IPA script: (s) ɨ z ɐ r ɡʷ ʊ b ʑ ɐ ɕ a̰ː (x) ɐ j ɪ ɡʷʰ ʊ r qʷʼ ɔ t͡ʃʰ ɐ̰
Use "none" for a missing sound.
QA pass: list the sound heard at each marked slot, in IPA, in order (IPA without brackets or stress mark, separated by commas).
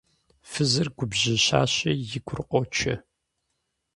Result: f, ɕ